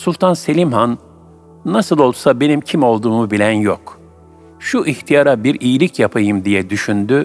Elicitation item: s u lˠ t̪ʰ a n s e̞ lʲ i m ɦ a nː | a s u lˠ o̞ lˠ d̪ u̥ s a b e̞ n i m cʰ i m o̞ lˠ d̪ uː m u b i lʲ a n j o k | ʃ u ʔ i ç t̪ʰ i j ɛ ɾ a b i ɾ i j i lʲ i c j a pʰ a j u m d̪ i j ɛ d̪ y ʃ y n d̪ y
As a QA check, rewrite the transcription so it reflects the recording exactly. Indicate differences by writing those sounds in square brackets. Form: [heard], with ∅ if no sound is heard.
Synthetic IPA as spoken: s u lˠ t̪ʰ a n s e̞ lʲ i m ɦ a nː | a s [ɯ] lˠ o̞ lˠ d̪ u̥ s a b e̞ n i m cʰ i m o̞ lˠ d̪ uː m u b i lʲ [æ] n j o k | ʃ u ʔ i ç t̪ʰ i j [a] ɾ a b i ɾ i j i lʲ i c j a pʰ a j [ɯ] m d̪ i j ɛ d̪ y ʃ y n d̪ y